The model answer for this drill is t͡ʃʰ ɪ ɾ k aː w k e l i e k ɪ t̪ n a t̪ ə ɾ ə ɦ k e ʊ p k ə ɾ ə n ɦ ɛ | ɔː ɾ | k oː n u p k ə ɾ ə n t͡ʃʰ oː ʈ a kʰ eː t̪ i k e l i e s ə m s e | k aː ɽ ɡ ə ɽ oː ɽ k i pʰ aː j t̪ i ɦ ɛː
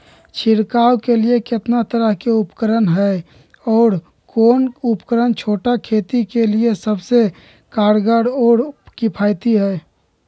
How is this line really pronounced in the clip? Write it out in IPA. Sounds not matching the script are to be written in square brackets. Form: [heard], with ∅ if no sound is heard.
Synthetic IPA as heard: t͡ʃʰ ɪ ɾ k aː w k e l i e k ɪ t̪ n a t̪ ə ɾ ə ɦ k e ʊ p k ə ɾ ə n ɦ ɛ | ɔː ɾ | k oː n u p k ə ɾ ə n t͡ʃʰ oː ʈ a kʰ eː t̪ i k e l i e s ə [b] s e | k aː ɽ ɡ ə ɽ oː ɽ k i pʰ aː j t̪ i ɦ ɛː